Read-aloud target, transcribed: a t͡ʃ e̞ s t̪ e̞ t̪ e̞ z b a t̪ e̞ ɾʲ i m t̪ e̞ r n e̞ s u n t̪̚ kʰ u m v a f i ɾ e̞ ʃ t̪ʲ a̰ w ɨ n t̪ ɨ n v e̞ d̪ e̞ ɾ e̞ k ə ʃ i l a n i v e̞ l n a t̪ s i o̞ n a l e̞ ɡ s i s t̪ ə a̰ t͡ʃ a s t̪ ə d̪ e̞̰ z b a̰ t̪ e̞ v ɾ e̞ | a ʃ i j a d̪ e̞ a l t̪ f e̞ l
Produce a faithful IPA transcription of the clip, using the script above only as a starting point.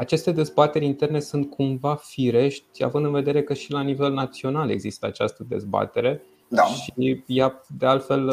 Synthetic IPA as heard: a t͡ʃ e̞ s t̪ e̞ d̪ e̞ z b a t̪ e̞ ɾʲ i n t̪ e̞ r n e̞ s u n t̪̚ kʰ u m v a f i ɾ e̞ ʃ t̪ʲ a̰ v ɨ n d̪ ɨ n v e̞ d̪ e̞ ɾ e̞ k ə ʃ i l a n i v e̞ l n a t̪ s i o̞ n a l e̞ ɡ z i s t̪ ə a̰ t͡ʃ a s t̪ ə d̪ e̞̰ z b a̰ t̪ e̞ ɾ e̞ | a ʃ i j a d̪ e̞ a l t̪ f e̞ l